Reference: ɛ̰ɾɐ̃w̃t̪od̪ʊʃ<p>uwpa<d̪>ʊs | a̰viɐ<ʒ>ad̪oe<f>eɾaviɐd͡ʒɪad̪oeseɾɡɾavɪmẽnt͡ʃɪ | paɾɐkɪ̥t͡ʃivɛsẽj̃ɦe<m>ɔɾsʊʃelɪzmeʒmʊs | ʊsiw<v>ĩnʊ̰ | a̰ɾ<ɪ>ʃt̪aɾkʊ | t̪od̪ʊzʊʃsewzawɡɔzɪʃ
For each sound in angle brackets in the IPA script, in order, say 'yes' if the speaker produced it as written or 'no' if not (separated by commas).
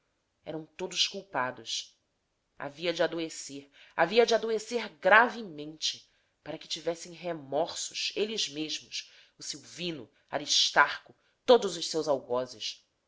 no, yes, no, no, yes, yes, no